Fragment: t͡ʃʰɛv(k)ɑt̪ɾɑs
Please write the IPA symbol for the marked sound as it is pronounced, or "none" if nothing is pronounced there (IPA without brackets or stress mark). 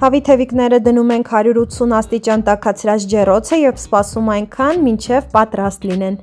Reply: p